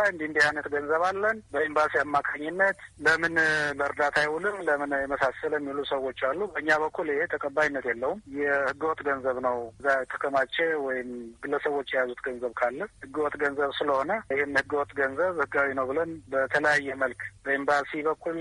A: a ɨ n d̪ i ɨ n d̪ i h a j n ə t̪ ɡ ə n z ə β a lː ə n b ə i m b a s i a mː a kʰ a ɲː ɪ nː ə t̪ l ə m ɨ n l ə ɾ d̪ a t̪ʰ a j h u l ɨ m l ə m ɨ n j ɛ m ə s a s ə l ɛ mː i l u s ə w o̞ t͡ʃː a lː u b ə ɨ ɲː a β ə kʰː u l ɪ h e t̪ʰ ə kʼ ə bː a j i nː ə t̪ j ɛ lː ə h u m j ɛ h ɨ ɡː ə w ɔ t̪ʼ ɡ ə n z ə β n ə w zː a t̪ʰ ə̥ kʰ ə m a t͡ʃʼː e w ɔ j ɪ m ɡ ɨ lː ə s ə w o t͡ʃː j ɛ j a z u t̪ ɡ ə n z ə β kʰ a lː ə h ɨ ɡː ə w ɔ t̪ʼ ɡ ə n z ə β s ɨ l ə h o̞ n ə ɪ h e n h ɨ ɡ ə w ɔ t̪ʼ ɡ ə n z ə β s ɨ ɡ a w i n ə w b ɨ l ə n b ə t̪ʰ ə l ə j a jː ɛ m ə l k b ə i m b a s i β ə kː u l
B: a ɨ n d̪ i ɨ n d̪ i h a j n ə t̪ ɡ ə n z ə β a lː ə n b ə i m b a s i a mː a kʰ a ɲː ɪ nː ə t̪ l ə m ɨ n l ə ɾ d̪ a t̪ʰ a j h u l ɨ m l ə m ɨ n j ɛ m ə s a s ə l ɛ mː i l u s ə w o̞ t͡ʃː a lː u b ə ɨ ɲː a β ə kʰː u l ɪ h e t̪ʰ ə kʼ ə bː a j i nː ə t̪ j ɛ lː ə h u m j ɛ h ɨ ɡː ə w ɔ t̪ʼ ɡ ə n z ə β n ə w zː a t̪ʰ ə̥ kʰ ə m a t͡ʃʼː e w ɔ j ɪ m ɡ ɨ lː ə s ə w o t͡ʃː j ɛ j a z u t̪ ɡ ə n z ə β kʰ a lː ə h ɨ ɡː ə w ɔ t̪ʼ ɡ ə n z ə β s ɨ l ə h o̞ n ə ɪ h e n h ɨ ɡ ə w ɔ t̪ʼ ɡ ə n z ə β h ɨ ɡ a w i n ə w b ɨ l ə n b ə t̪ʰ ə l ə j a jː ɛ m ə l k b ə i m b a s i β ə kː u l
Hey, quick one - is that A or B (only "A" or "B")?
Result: B